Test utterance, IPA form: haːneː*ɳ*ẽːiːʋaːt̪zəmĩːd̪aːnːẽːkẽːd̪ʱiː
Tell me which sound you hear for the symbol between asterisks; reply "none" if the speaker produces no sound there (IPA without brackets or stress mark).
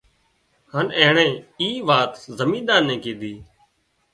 ɳ